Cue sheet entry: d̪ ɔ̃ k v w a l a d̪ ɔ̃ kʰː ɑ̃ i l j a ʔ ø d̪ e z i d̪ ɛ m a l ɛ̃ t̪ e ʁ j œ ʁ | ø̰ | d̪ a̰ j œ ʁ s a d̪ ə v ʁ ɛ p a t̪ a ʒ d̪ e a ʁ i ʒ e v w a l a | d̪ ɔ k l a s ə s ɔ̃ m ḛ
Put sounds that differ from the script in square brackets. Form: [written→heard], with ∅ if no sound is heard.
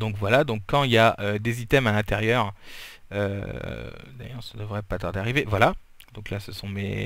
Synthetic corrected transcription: d̪ ɔ̃ k v w a l a d̪ ɔ̃ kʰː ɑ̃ i l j a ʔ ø d̪ e z i [d̪→t̪] ɛ m a l ɛ̃ t̪ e ʁ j œ ʁ | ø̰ | d̪ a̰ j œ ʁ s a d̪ ə v ʁ ɛ p a t̪ a [ʒ→ʁ] d̪ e a ʁ i [ʒ→v] e v w a l a | d̪ [ɔ→ɔ̃] k l a s ə s ɔ̃ m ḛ